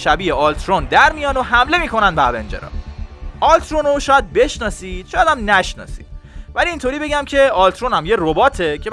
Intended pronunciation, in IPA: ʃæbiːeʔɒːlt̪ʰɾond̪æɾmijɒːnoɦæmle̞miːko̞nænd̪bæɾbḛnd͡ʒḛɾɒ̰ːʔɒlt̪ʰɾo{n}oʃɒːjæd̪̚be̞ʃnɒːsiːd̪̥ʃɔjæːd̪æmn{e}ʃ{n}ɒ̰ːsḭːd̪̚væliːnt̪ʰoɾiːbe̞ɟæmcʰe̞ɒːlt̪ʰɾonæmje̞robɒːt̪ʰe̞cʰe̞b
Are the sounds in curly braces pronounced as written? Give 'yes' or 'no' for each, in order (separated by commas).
yes, no, yes